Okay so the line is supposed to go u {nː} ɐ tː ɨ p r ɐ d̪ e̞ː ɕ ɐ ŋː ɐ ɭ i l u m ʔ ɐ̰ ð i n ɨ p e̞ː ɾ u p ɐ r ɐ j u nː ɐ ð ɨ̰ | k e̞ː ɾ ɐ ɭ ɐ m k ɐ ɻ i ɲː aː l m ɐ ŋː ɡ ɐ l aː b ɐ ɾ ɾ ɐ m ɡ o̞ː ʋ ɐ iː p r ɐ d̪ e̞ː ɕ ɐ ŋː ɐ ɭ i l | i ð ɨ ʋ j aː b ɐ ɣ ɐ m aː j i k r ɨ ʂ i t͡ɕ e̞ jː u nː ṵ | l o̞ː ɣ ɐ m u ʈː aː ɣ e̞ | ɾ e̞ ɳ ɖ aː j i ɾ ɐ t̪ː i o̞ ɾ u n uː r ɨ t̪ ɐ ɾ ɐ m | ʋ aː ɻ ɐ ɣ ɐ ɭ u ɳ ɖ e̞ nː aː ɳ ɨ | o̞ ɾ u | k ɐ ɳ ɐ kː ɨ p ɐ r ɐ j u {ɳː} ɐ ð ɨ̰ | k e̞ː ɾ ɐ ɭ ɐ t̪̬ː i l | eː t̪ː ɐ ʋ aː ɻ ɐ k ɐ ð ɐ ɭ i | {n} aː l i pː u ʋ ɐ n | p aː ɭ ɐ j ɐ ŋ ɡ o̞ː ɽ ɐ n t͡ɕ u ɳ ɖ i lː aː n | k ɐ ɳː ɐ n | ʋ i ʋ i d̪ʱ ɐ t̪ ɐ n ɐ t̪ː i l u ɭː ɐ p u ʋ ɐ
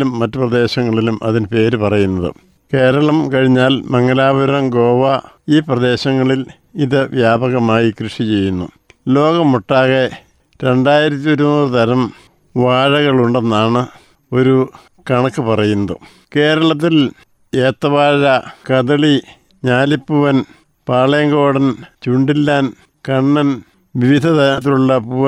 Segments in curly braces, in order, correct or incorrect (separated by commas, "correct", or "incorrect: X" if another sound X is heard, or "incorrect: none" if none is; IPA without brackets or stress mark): incorrect: mː, incorrect: nː, incorrect: ɲ